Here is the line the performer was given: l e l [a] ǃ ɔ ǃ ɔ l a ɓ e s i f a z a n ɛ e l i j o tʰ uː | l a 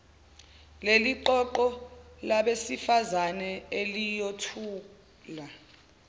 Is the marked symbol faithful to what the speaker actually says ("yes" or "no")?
no